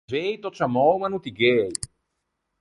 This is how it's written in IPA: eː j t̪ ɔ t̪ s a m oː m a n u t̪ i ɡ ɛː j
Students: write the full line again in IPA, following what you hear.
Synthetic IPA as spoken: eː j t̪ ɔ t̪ s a m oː m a n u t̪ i ɡ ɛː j